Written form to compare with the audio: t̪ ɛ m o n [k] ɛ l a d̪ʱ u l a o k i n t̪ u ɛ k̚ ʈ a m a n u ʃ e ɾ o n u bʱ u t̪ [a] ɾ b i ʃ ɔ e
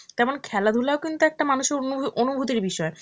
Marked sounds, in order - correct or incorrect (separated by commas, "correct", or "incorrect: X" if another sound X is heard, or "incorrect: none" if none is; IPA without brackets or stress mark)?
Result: incorrect: kʰ, incorrect: i